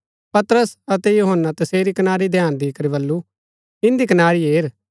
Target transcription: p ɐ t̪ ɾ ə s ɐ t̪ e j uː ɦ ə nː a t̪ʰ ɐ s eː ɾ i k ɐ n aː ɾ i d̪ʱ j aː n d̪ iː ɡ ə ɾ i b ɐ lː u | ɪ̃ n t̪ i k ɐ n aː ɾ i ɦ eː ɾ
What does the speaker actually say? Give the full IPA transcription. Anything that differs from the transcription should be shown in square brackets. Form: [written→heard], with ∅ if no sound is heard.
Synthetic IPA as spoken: p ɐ t̪ ɾ ə s ɐ t̪ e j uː ɦ ə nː a [t̪ʰ→t̪] ɐ s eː ɾ i k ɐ n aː ɾ i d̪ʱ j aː n d̪ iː [ɡ→k] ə ɾ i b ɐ lː u | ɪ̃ n [t̪→d̪] i k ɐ n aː ɾ i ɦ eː ɾ

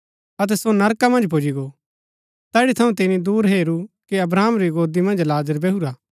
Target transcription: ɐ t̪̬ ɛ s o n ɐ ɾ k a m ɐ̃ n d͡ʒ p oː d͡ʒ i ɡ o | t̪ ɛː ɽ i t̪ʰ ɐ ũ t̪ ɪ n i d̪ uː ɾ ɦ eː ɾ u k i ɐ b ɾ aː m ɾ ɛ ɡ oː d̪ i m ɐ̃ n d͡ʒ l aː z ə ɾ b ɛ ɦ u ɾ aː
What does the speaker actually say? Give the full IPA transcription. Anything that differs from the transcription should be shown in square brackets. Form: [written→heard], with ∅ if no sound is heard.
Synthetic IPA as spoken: ɐ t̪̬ ɛ s o n ɐ ɾ k a m ɐ̃ n d͡ʒ p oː d͡ʒ i ɡ o | t̪ ɛː ɽ i t̪ʰ ɐ ũ t̪ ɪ n i d̪ uː ɾ ɦ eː ɾ u k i ɐ b ɾ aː m ɾ [ɛ→i] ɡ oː d̪ i m ɐ̃ n d͡ʒ l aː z ə ɾ b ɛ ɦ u ɾ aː

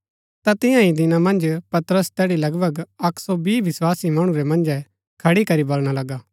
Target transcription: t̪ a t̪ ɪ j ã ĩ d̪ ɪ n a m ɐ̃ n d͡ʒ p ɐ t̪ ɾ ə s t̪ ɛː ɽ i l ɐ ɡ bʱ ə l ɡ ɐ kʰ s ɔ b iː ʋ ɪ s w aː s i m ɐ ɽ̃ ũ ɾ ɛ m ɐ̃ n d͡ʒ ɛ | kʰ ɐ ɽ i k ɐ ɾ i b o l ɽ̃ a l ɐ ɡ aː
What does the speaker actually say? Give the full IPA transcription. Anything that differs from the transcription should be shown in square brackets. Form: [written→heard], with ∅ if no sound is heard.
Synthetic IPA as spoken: t̪ a t̪ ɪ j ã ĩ d̪ ɪ n a m ɐ̃ n d͡ʒ p ɐ t̪ ɾ ə s t̪ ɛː ɽ i l ɐ ɡ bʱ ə [l→∅] ɡ ɐ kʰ s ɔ b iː ʋ ɪ s w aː s i m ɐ ɽ̃ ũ ɾ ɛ m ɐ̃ n d͡ʒ ɛ | kʰ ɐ ɽ i k ɐ ɾ i b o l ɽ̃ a l ɐ ɡ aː

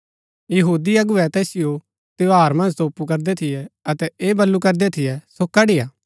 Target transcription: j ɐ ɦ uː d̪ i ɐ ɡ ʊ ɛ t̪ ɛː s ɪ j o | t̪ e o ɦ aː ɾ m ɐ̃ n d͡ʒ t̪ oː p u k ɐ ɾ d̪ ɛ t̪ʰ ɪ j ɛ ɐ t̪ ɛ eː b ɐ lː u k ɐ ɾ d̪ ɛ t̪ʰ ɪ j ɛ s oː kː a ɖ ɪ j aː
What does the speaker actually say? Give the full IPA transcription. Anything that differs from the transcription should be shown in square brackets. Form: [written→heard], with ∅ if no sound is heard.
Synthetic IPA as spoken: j ɐ ɦ uː d̪ i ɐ ɡ ʊ ɛ t̪ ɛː s ɪ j o | t̪ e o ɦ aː ɾ m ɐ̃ n d͡ʒ t̪ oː p u k ɐ ɾ d̪ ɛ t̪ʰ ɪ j ɛ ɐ t̪ ɛ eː b ɐ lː u k ɐ ɾ d̪ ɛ t̪ʰ ɪ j ɛ s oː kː a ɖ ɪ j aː

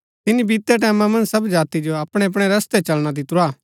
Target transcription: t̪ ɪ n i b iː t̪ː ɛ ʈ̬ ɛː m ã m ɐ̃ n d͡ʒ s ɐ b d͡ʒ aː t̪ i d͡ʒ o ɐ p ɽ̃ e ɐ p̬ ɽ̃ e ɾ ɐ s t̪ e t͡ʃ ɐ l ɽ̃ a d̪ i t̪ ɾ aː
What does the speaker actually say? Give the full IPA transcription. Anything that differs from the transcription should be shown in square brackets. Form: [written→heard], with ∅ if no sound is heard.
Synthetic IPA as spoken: t̪ ɪ n i b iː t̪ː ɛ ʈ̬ ɛː m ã m ɐ̃ n d͡ʒ s ɐ b d͡ʒ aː t̪ i d͡ʒ o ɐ p ɽ̃ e ɐ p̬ ɽ̃ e ɾ ɐ s t̪ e t͡ʃ ɐ l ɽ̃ a d̪ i t̪ ɾ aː

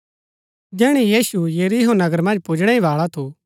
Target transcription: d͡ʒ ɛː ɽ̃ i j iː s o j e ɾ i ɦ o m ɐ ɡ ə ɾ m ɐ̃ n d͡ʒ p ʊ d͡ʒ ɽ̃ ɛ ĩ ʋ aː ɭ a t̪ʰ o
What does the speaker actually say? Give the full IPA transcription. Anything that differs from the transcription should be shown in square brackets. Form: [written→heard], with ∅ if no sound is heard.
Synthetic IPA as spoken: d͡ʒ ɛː ɽ̃ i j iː s [o→u] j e ɾ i ɦ o [m→n] ɐ ɡ ə ɾ m ɐ̃ n d͡ʒ p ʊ d͡ʒ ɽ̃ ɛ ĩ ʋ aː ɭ a t̪ʰ o

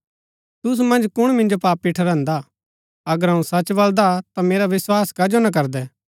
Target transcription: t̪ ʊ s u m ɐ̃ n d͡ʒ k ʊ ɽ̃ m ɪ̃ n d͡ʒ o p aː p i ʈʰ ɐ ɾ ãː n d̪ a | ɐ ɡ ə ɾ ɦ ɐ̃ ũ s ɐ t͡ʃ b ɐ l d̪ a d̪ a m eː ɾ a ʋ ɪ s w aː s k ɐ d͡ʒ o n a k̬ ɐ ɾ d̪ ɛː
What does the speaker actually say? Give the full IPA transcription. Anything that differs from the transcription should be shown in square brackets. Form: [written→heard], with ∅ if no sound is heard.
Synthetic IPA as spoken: t̪ ʊ s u m ɐ̃ n d͡ʒ k ʊ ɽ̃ m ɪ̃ n d͡ʒ o p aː p i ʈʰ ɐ ɾ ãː n d̪ a | ɐ ɡ ə ɾ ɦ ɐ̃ ũ s ɐ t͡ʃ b ɐ l d̪ a [d̪→t̪] a m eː ɾ a ʋ ɪ s w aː s k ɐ d͡ʒ o n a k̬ ɐ ɾ d̪ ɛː

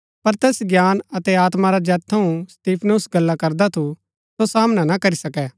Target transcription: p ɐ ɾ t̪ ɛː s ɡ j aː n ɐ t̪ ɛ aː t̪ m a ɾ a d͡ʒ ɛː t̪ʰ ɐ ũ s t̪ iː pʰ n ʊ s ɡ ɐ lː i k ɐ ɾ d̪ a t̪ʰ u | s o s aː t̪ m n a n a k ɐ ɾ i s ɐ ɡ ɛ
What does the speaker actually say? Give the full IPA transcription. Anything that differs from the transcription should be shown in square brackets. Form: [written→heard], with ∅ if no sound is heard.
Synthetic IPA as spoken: p ɐ ɾ t̪ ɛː s ɡ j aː n ɐ t̪ ɛ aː t̪ m a ɾ a d͡ʒ ɛː t̪ʰ ɐ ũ s t̪ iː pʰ n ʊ s ɡ ɐ lː [i→a] k ɐ ɾ d̪ a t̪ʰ u | s o s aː [t̪→∅] m n a n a k ɐ ɾ i s ɐ [ɡ→k] ɛ

